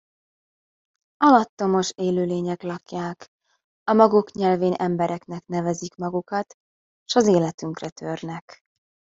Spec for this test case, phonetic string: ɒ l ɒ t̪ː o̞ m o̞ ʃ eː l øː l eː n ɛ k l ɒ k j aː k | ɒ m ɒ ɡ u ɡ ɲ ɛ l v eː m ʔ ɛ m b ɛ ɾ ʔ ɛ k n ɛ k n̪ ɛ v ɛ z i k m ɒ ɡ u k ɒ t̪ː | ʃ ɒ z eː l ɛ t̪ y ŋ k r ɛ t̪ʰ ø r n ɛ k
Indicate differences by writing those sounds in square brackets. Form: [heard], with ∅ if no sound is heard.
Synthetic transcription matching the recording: ɒ l ɒ t̪ː o̞ m o̞ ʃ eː l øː l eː [ɲ] ɛ k l ɒ k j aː k | ɒ m ɒ ɡ u [k] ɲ ɛ l v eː [n] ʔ ɛ m b ɛ ɾ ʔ ɛ k n ɛ k n̪ ɛ v ɛ z i k m ɒ ɡ u k ɒ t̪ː | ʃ ɒ z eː l ɛ t̪ y ŋ k r ɛ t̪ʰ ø r n ɛ k